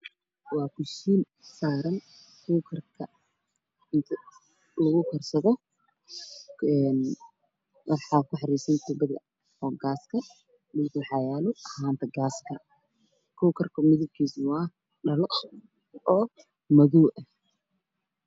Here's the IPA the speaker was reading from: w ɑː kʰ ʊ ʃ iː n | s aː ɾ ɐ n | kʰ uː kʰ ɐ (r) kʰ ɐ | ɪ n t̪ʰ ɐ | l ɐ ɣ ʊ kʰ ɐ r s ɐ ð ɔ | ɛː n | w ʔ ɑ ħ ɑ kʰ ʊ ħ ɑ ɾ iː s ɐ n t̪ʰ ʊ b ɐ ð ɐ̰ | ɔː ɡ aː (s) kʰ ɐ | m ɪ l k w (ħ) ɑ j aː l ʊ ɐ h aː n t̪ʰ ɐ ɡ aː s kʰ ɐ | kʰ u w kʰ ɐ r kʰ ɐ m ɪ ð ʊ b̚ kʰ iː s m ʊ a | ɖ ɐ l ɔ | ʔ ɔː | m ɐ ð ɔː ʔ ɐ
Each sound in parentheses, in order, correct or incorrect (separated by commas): correct, correct, correct